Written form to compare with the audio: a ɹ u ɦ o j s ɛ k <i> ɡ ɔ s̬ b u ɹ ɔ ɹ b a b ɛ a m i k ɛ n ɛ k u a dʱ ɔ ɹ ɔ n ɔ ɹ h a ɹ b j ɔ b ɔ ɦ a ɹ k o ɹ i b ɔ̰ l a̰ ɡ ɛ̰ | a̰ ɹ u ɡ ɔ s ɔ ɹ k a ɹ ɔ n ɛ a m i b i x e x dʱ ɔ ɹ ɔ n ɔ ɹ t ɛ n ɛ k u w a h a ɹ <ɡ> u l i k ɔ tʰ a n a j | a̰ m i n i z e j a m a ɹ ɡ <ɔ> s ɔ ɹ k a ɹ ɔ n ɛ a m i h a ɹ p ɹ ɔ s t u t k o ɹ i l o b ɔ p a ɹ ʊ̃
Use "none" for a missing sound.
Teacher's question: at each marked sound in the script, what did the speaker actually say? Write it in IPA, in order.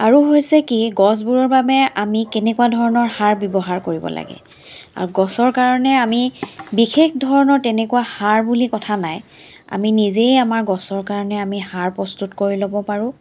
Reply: i, b, ɔ

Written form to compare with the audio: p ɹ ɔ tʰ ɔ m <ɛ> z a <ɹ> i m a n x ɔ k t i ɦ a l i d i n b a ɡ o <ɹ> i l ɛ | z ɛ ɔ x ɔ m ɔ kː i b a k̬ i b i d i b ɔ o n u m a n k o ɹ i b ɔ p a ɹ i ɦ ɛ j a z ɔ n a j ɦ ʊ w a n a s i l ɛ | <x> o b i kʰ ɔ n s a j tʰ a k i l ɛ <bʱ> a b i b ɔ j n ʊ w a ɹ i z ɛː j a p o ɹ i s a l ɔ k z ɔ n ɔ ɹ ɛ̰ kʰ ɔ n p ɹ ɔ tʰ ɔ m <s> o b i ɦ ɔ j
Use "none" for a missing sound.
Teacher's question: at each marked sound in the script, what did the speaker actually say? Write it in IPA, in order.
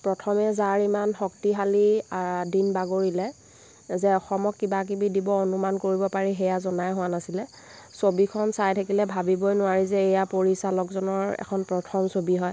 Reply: ɛ, ɹ, ɹ, s, bʱ, s

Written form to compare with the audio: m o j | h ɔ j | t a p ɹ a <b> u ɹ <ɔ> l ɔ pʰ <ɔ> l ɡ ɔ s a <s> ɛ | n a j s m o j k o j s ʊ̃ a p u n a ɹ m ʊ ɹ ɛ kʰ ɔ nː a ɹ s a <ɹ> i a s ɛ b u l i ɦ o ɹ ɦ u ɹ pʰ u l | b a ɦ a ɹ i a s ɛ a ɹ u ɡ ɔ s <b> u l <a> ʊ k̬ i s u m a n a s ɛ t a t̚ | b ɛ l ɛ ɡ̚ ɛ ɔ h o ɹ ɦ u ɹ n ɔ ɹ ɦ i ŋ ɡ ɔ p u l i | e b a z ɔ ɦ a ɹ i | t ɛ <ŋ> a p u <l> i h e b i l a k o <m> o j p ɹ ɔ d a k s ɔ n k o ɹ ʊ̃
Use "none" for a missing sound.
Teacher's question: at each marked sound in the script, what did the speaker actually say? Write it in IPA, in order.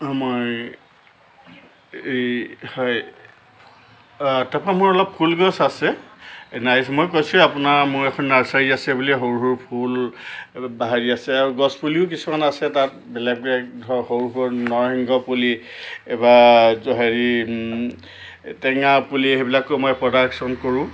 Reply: m, ɔ, u, s, ɹ, p, i, ŋ, l, m

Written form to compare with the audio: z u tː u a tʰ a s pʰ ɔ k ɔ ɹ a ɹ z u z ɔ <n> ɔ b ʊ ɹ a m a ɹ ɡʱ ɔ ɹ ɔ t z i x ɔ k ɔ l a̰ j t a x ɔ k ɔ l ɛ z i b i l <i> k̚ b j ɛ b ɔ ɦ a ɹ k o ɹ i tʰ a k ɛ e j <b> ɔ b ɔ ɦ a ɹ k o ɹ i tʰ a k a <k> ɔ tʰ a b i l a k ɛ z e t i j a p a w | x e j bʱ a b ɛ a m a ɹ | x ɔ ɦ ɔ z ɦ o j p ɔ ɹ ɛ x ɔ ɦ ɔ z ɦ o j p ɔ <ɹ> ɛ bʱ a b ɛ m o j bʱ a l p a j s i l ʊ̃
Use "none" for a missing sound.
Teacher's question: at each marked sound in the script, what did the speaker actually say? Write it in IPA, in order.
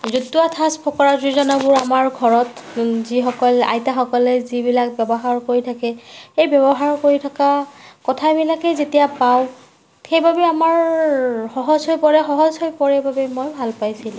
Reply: n, a, b, k, ɹ

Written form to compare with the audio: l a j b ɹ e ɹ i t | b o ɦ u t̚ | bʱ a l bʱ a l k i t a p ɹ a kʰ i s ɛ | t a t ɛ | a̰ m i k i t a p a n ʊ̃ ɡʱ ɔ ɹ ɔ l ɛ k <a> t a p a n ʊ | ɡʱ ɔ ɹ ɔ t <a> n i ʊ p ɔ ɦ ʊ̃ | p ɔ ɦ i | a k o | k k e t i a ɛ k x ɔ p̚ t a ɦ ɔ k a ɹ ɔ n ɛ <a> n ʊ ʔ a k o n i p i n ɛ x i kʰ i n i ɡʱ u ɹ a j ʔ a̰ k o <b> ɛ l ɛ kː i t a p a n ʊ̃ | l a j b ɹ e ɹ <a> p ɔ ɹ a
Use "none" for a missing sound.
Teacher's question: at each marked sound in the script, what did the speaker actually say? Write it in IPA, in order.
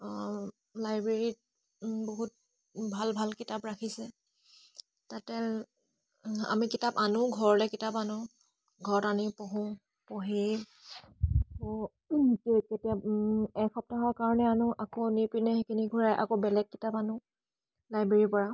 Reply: i, a, a, b, i

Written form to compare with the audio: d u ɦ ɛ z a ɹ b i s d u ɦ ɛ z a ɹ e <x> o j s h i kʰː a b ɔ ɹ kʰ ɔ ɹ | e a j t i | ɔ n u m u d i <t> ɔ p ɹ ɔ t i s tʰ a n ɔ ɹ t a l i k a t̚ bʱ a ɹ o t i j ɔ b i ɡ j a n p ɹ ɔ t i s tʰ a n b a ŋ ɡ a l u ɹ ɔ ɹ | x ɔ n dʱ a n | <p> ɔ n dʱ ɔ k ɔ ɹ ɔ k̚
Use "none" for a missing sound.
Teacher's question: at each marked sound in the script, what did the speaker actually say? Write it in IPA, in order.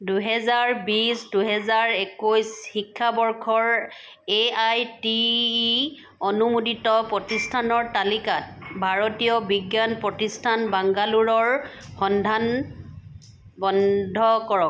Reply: k, t, b

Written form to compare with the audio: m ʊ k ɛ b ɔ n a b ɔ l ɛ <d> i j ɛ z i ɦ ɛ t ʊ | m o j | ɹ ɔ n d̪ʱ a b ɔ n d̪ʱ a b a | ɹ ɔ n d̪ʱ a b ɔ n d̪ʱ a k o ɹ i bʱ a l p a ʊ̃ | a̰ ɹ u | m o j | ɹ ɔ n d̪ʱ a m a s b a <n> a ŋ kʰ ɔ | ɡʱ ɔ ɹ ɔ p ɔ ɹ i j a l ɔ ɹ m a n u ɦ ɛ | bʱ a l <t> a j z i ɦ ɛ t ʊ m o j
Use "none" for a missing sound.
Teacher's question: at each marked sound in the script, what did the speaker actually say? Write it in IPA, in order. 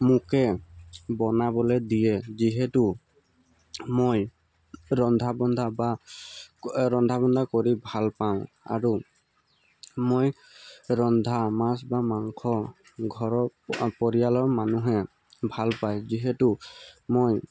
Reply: d, m, p

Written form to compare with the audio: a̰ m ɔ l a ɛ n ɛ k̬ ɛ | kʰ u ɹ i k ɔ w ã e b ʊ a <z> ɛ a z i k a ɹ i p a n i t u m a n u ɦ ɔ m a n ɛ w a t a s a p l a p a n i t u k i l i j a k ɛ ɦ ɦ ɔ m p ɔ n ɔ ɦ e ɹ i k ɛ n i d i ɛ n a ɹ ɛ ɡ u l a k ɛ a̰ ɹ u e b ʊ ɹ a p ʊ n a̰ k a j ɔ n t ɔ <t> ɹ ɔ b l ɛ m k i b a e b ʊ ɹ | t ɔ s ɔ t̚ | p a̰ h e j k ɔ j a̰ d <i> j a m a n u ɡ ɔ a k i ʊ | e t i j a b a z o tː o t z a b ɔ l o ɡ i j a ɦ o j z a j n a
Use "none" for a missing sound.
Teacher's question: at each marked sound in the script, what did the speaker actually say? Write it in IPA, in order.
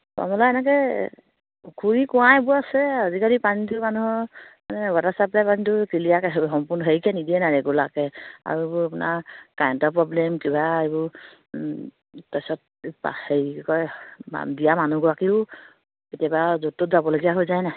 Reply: s, p, i

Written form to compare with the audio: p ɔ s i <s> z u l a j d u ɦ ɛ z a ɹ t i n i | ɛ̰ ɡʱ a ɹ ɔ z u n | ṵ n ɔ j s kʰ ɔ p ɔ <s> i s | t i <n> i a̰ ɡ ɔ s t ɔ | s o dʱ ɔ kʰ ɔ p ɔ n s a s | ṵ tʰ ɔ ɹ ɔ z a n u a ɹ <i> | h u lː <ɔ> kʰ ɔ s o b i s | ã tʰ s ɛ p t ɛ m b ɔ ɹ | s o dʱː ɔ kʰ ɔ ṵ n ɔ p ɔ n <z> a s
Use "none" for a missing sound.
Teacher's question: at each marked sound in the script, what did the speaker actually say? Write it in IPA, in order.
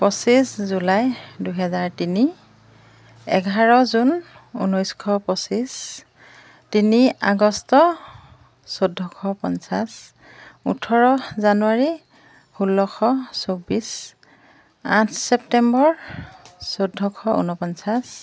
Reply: s, s, n, i, ɔ, s

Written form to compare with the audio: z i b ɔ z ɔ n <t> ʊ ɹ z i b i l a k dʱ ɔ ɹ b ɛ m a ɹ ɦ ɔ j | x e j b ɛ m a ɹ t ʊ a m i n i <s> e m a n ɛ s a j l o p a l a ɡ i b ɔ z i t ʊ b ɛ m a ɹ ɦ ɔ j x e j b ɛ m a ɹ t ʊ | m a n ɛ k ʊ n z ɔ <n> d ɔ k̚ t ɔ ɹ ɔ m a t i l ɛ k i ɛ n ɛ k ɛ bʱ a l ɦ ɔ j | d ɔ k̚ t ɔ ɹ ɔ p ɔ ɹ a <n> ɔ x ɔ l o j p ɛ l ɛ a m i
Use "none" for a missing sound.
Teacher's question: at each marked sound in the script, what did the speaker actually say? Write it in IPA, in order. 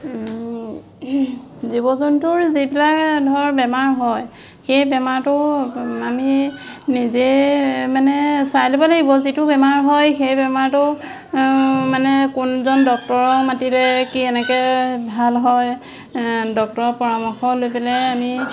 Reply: t, z, n, m

